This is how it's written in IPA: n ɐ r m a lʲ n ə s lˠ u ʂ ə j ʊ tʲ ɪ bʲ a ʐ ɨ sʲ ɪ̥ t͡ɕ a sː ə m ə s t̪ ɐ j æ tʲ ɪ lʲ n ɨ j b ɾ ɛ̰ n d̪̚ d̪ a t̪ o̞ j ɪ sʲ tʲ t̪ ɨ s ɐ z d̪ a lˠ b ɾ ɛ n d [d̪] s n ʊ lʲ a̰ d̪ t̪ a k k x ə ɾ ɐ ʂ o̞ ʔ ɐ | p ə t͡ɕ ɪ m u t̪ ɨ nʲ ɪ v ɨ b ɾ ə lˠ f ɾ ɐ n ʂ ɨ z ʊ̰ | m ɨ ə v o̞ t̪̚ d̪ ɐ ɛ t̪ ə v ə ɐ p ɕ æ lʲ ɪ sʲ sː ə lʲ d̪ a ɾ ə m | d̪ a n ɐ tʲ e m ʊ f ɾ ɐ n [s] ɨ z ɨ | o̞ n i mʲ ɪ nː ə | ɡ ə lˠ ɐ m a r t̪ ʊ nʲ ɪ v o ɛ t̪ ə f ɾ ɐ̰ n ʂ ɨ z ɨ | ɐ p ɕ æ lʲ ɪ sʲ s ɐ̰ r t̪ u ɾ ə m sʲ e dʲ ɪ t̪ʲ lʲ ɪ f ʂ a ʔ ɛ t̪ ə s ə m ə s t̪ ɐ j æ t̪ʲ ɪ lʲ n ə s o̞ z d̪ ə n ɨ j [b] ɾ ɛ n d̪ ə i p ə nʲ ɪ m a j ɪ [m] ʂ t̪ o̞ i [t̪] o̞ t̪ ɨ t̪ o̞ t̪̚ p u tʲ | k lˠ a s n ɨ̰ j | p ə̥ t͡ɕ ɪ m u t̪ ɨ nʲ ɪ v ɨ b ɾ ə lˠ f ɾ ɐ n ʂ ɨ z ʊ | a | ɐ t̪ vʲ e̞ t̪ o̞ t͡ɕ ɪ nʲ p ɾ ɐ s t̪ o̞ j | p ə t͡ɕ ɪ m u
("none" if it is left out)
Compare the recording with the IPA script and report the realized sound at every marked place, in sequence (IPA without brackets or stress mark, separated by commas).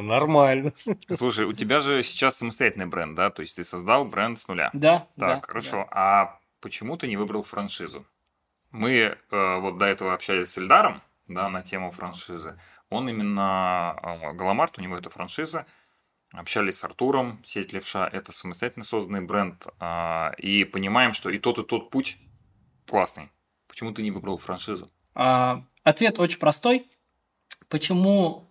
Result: t̪, ʂ, b, m, t̪